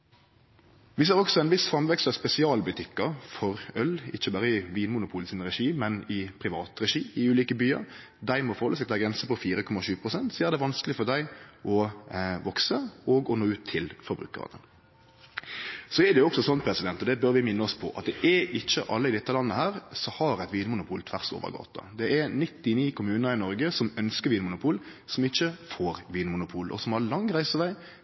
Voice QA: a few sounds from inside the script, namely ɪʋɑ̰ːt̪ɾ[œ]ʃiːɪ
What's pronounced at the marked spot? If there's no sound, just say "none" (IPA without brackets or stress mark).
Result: ɛ